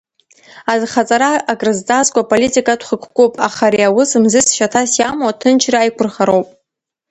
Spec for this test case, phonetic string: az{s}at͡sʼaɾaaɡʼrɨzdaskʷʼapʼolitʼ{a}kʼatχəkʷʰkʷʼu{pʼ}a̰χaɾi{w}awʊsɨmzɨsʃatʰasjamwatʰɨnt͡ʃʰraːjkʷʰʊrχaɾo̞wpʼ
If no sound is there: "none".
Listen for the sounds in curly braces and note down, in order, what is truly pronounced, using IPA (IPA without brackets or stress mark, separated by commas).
χ, i, pʼ, none